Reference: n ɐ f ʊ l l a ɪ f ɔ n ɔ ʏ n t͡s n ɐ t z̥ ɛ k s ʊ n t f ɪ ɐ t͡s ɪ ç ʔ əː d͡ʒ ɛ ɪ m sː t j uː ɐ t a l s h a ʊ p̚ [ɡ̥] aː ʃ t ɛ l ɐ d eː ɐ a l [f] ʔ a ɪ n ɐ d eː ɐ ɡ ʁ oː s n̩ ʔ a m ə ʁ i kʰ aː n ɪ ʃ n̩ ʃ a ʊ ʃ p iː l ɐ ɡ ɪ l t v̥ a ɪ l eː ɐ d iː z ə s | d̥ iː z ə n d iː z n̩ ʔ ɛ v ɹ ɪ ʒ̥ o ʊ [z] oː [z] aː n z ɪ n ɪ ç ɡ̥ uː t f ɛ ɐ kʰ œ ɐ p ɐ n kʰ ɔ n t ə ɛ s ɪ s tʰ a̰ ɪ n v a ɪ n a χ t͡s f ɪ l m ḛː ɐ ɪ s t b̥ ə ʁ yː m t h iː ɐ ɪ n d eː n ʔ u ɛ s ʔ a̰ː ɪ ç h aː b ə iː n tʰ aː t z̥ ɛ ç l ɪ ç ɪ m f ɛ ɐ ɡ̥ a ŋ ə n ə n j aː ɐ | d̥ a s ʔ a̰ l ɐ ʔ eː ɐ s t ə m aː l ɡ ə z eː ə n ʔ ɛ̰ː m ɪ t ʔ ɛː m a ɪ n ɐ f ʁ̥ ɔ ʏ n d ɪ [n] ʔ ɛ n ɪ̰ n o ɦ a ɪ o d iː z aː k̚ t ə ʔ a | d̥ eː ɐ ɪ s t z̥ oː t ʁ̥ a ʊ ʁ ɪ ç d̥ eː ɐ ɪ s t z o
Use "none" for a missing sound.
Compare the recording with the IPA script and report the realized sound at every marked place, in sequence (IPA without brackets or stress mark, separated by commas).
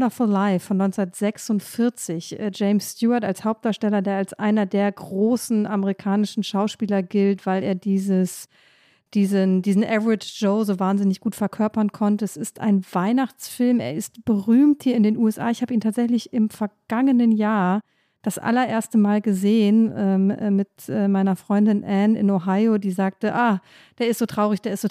d̥, s, z, v, n